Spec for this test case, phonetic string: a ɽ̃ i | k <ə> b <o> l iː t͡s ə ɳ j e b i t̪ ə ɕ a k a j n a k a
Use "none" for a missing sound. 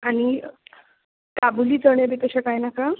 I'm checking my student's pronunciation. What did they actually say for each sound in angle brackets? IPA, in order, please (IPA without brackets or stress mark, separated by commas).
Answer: a, u